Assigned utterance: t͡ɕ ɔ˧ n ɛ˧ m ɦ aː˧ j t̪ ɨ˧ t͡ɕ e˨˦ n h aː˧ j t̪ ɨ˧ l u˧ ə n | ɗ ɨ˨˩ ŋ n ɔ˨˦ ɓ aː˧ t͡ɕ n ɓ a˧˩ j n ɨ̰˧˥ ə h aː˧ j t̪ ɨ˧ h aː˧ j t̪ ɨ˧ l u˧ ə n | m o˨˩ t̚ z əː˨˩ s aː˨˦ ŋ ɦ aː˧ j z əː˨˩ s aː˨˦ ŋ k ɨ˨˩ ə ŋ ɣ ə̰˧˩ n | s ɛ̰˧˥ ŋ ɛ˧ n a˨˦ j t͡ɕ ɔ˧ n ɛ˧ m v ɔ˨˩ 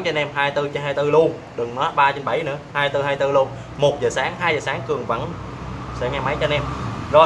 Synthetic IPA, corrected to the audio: t͡ɕ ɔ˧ n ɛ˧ m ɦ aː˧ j t̪ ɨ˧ t͡ɕ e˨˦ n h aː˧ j t̪ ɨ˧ l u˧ ə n | ɗ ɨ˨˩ ŋ n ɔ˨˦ ɓ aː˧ t͡ɕ n ɓ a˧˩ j n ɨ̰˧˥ ə h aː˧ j t̪ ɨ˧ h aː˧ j t̪ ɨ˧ l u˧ ə n | m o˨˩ t̚ z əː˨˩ s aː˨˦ ŋ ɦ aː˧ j z əː˨˩ s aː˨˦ ŋ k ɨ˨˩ ə ŋ v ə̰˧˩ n | s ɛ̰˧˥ ŋ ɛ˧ m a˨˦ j t͡ɕ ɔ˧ n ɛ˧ m z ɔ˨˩